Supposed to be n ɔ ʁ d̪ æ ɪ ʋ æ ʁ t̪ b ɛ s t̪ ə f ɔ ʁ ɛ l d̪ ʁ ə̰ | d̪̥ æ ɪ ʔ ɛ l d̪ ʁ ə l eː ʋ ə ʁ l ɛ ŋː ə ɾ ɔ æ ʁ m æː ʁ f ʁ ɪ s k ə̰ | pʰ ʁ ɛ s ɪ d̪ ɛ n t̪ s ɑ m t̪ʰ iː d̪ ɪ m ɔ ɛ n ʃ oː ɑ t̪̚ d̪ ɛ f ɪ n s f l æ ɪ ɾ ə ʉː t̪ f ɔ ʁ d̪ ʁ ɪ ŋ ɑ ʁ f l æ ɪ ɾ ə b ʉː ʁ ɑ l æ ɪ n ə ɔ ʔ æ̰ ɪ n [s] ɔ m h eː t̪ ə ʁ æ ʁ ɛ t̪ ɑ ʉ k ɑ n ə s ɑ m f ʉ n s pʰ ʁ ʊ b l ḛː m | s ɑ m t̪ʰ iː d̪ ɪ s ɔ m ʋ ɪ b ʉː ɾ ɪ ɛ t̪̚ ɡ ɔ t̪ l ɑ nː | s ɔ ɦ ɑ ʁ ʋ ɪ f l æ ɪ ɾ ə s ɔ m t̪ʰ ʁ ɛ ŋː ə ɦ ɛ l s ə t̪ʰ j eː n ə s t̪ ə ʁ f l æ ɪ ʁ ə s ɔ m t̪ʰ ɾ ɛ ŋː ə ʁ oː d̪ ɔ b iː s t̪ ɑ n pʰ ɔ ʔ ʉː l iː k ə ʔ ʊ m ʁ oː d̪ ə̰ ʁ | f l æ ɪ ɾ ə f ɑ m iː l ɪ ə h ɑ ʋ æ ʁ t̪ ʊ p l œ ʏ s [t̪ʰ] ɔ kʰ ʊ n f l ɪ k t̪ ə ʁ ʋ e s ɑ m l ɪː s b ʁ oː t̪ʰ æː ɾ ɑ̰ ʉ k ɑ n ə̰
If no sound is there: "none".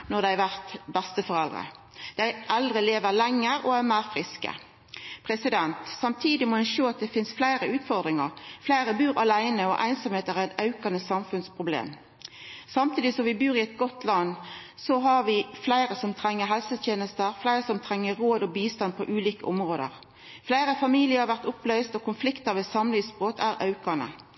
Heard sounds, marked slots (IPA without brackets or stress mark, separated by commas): s, t̪